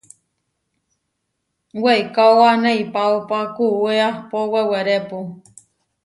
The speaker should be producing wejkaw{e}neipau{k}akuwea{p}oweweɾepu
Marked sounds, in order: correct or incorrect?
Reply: incorrect, incorrect, correct

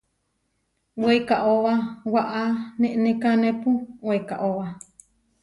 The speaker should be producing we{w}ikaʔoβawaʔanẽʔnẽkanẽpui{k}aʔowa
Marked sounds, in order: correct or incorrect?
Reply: incorrect, correct

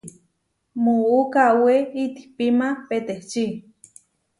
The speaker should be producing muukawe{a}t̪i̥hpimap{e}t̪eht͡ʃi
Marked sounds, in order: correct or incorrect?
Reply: incorrect, correct

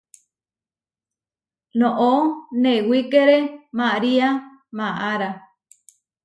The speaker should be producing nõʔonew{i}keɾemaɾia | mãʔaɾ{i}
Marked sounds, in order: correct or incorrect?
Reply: correct, incorrect

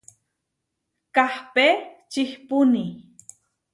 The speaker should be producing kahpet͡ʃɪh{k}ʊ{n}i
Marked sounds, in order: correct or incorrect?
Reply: incorrect, correct

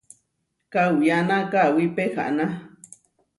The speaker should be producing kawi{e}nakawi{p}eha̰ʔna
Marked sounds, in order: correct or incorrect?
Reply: incorrect, correct

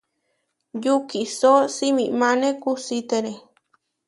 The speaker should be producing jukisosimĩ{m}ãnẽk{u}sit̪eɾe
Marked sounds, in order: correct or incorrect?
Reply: correct, correct

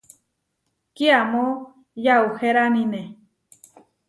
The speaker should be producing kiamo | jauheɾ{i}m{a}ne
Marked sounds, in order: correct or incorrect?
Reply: incorrect, incorrect

